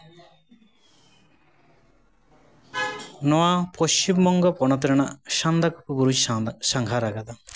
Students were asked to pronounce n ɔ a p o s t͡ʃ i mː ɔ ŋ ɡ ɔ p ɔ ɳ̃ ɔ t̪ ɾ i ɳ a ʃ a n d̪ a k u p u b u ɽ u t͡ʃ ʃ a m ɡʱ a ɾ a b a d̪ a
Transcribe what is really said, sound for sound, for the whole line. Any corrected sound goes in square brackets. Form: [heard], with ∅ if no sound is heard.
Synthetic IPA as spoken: n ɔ a p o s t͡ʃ i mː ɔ ŋ ɡ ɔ p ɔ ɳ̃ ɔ t̪ ɾ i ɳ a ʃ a n d̪ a k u p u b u [ɾ] u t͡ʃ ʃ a [ŋ] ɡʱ a ɾ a [ɡ] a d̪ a